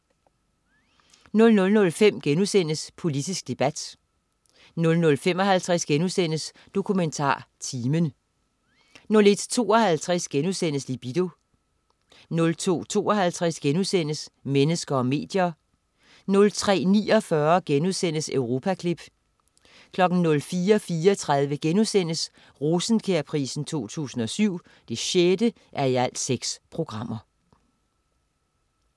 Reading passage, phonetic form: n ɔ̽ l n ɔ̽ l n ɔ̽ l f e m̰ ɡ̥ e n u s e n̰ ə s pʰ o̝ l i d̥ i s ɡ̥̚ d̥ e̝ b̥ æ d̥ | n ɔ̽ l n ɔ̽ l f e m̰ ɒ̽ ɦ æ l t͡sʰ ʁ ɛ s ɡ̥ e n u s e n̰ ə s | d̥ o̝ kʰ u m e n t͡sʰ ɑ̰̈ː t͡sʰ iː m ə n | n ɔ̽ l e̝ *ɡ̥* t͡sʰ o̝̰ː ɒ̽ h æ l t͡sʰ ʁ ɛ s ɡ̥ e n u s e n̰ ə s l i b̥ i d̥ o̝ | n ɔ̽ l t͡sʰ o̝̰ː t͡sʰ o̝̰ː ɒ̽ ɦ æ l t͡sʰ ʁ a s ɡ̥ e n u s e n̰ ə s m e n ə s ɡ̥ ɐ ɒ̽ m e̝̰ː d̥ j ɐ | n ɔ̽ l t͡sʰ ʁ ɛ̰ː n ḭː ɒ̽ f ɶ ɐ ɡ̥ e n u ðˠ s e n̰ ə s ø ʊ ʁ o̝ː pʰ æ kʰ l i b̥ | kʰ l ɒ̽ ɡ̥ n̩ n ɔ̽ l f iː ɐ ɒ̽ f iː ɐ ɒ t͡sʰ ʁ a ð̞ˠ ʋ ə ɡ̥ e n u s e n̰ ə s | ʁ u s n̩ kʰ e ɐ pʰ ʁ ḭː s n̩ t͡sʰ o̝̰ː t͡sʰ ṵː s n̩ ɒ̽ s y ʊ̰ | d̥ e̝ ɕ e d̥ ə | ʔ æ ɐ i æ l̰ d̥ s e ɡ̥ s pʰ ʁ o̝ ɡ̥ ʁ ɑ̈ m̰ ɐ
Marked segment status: incorrect: d̥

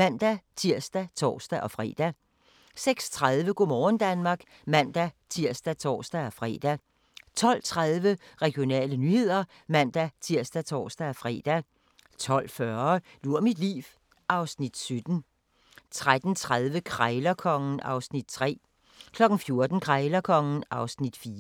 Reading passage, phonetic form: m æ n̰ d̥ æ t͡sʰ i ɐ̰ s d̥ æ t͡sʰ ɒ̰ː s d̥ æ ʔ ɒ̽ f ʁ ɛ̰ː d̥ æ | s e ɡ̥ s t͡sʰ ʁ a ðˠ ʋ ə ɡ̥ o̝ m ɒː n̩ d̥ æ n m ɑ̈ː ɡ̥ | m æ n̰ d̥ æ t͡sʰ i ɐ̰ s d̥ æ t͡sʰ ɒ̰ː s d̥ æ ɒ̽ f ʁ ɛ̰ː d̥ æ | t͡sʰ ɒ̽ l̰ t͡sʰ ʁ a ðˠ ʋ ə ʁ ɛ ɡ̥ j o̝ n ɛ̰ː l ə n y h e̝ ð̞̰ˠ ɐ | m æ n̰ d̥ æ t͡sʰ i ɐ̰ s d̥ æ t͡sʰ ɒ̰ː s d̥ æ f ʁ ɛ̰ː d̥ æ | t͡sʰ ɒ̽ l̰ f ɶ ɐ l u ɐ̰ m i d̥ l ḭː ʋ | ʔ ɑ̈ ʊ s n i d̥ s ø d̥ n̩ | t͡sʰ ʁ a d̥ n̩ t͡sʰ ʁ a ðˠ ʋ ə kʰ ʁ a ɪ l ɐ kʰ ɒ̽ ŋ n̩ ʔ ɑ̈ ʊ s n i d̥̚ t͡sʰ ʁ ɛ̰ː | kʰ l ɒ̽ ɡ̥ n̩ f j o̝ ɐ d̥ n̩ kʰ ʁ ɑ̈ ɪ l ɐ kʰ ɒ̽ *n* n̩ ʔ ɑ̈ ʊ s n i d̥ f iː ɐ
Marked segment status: incorrect: ŋ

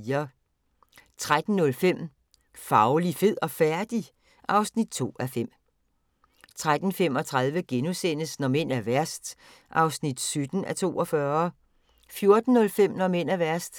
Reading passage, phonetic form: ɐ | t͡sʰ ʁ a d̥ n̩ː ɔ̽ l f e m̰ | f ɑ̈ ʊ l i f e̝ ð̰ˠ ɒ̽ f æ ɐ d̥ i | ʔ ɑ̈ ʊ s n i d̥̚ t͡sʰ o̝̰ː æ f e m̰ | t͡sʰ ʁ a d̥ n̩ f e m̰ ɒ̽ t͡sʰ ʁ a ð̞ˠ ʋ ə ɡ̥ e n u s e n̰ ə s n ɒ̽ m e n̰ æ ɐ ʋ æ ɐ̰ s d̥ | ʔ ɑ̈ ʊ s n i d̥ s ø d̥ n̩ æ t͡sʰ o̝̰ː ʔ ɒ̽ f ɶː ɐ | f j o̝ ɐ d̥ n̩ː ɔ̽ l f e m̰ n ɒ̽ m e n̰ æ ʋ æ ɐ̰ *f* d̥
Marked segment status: incorrect: s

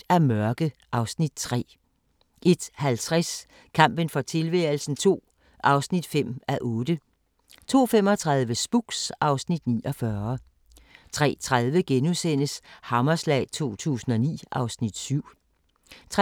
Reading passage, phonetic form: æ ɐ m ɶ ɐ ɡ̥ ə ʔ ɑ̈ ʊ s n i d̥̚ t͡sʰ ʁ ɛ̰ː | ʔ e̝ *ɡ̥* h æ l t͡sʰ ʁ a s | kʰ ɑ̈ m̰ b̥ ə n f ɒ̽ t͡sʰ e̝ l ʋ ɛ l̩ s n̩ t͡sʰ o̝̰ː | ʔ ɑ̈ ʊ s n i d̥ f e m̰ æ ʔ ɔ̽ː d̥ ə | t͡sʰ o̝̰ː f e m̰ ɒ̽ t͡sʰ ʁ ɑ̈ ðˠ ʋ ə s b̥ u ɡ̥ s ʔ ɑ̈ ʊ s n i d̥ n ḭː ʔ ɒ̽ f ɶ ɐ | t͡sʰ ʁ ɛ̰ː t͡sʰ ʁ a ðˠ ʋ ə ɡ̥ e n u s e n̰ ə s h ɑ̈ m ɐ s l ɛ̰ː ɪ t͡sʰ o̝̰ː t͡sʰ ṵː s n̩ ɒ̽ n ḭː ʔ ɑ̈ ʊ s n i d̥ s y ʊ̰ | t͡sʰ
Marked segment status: incorrect: d̥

